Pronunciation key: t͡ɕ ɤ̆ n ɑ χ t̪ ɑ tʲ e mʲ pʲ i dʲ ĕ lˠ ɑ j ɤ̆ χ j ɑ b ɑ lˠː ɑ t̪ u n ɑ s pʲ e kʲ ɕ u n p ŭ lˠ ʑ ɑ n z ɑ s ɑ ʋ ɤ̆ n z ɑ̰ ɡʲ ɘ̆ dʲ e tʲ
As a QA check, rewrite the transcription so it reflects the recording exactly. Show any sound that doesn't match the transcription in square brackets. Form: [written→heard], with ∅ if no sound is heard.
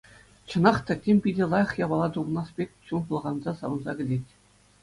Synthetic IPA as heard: t͡ɕ ɤ̆ n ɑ χ t̪ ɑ tʲ e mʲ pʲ i dʲ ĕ lˠ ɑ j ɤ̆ χ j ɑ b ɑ [lˠː→lˠ] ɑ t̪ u n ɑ s pʲ e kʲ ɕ u n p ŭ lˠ [ʑ→ʁ] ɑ n z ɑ s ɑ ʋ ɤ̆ n z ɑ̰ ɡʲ ɘ̆ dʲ e tʲ